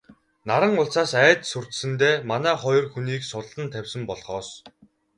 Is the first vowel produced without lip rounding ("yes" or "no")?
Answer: yes